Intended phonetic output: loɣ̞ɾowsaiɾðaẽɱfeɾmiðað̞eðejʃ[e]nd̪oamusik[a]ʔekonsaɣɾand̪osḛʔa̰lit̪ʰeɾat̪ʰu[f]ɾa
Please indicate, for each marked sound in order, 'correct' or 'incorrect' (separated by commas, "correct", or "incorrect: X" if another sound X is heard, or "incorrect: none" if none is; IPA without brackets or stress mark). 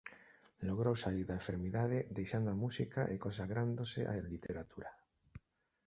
incorrect: a, correct, incorrect: none